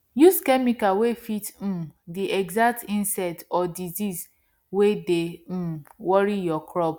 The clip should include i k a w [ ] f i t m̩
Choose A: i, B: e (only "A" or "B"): B